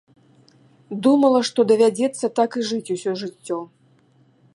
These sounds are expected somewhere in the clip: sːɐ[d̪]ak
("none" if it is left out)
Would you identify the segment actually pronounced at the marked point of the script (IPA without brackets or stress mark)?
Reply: t̪